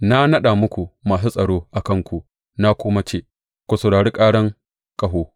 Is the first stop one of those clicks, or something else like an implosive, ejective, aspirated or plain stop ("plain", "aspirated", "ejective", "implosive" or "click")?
implosive